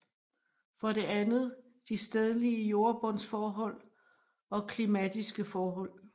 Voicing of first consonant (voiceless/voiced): voiceless